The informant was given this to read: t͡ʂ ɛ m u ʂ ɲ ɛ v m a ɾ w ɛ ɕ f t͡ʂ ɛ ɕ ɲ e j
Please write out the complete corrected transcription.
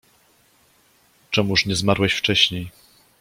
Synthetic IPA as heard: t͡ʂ ɛ m u ʂ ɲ ɛ z m a ɾ w ɛ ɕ f t͡ʂ ɛ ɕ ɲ e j